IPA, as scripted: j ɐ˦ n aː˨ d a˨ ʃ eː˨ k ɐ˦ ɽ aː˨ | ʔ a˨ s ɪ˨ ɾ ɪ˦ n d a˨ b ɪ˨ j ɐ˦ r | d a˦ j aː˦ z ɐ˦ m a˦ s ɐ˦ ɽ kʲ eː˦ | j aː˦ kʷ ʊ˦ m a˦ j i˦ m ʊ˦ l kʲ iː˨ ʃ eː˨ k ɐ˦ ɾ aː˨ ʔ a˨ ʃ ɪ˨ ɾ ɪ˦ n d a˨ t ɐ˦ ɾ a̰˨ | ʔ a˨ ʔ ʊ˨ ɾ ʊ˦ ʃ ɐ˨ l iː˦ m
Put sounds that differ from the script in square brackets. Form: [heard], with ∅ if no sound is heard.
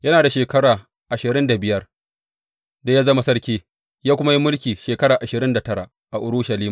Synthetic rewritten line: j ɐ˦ n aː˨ d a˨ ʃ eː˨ k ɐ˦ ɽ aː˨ | ʔ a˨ [ʃ] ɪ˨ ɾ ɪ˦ n d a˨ b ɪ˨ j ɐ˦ r | d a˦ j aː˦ z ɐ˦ m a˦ s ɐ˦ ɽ kʲ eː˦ | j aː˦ kʷ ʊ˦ m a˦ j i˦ m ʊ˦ l kʲ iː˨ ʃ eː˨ k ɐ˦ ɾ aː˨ ʔ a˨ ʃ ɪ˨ ɾ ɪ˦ n d a˨ t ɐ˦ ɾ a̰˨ | ʔ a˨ ʔ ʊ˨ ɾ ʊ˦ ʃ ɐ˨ l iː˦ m